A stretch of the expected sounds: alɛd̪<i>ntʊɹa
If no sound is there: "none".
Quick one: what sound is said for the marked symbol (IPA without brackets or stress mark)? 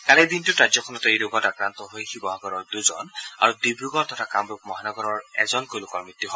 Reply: i